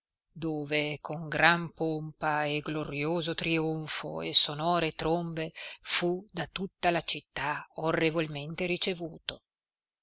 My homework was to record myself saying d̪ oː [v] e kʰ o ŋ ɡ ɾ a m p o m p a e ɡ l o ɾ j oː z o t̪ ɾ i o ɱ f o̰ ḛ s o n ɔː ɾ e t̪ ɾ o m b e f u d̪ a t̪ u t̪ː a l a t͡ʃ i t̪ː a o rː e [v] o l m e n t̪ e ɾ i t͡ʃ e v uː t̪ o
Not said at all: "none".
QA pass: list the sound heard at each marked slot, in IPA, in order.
v, v

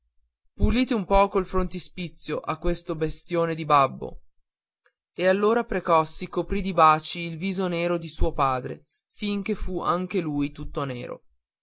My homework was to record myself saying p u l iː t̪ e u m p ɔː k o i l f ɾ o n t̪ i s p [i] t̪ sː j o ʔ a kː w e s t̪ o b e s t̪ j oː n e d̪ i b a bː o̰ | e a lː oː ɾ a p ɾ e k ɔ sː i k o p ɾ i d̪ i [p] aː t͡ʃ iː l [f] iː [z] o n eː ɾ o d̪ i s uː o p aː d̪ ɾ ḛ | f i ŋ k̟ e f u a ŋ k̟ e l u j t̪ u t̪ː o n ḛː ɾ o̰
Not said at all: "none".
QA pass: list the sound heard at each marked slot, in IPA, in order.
i, b, v, z

